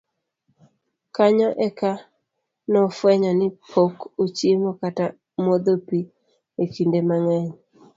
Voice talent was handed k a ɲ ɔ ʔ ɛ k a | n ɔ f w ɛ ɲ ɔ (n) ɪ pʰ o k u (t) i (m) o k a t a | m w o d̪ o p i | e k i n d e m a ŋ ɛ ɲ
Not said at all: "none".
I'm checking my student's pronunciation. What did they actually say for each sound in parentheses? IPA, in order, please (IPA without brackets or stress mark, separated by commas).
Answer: n, t͡ʃ, m